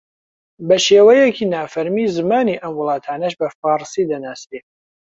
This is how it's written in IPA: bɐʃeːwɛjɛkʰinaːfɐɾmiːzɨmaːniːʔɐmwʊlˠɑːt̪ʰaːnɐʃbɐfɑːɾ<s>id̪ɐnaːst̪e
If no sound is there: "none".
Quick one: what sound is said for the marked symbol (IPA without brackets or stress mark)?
s